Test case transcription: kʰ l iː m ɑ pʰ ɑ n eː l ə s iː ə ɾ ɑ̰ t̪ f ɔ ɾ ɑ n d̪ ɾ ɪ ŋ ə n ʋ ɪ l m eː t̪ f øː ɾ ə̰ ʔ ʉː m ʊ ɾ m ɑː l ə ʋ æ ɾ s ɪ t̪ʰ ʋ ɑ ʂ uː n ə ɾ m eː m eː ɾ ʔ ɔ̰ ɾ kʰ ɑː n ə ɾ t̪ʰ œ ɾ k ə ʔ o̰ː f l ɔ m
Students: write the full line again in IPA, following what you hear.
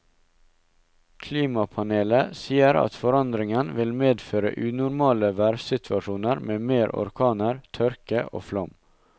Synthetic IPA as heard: kʰ l iː m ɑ pʰ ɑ n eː l ə s iː ə ɾ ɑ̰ t̪ f ɔ ɾ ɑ n d̪ ɾ ɪ ŋ ə n ʋ ɪ l m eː d̪ f øː ɾ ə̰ ʔ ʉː n ʊ ɾ m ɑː l ə ʋ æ ɾ s ɪ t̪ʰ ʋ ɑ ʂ uː n ə ɾ m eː m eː ɾ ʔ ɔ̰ ɾ kʰ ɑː n ə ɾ t̪ʰ œ ɾ k ə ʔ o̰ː f l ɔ m

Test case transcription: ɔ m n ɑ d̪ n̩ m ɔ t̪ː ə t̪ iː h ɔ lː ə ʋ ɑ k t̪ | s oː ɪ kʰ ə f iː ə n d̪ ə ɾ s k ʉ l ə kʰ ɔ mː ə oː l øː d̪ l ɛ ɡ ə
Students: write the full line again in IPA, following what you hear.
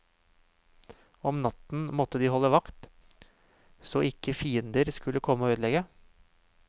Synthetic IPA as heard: ɔ m n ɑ t̪ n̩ m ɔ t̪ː ə d̪ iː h ɔ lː ə ʋ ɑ k t̪ | s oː ɪ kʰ ə f iː ə n d̪ ə ɾ s k ʉ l ə kʰ ɔ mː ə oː øː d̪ l ɛ ɡ ə

